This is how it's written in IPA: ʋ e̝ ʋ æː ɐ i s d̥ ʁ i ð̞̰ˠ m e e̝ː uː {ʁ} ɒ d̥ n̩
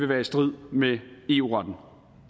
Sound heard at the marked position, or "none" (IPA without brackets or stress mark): ʁ